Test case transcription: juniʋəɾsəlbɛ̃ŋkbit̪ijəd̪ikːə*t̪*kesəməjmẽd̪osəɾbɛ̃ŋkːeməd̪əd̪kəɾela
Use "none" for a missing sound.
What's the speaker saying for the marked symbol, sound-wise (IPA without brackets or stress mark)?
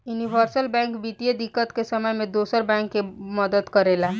t̪